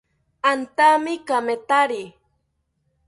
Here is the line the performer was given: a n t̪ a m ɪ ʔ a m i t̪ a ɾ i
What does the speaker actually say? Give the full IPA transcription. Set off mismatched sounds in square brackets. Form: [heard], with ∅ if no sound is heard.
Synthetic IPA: a n t̪ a m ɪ [k] a m [e] t̪ a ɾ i